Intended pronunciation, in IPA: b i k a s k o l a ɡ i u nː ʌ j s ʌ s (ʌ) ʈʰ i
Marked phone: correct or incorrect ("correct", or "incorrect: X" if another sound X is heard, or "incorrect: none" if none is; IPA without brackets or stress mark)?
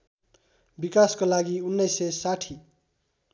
incorrect: a